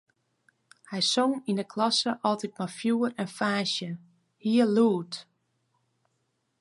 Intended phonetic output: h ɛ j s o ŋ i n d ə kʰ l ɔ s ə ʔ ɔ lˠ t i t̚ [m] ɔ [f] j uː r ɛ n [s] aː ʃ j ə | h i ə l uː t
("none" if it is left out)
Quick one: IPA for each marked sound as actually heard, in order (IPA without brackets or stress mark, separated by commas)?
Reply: m, f, f